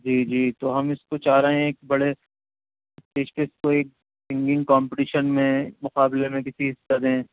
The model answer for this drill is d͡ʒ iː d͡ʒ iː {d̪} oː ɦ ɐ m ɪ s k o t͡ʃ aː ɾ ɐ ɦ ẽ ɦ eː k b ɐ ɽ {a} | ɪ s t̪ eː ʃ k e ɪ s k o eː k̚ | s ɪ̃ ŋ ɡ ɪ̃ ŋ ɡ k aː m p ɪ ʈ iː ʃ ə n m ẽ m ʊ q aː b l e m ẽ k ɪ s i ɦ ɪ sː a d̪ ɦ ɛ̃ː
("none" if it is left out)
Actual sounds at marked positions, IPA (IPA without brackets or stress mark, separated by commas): t̪, e